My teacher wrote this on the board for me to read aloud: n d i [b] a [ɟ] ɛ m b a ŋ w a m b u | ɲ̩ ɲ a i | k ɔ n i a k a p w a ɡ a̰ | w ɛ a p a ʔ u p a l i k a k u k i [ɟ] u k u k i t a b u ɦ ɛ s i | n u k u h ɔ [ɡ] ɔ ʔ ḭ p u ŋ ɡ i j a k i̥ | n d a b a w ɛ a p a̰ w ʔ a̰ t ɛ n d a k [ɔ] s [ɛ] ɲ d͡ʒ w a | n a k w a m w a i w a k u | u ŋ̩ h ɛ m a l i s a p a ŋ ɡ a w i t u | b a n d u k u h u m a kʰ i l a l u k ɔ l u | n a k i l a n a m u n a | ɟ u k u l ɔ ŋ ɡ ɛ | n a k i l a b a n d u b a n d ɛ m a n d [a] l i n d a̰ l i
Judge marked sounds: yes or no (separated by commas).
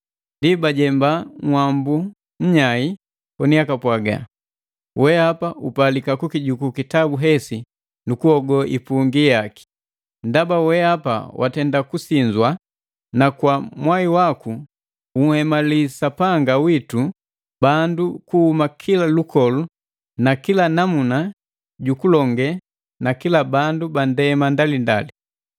yes, yes, yes, yes, no, no, yes